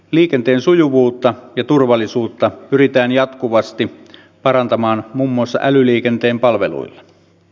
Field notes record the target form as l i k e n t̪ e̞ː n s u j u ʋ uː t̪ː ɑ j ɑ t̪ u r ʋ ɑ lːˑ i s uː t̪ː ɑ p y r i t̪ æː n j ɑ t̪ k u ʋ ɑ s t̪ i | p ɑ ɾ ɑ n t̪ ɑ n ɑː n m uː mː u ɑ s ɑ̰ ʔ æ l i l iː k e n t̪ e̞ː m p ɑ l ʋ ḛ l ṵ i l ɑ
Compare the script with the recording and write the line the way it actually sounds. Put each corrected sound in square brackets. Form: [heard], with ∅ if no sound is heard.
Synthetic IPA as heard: l [iː] k e n t̪ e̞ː n s u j u ʋ uː t̪ː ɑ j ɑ t̪ u r ʋ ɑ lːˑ i s uː t̪ː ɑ p y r i t̪ æː n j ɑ t̪ k u ʋ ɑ s t̪ i | p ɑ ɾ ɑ n t̪ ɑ [m] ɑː n m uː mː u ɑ [sː] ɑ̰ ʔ æ l [y] l iː k e n t̪ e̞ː m p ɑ l ʋ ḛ l ṵ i [lː] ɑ